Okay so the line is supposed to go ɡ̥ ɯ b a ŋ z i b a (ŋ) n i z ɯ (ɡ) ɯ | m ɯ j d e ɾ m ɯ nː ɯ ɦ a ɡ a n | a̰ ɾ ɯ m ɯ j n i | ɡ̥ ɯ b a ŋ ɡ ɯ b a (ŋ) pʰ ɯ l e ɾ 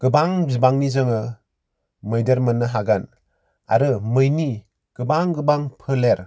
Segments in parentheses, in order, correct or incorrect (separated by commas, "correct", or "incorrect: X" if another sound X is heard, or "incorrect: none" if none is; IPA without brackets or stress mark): correct, incorrect: ŋ, correct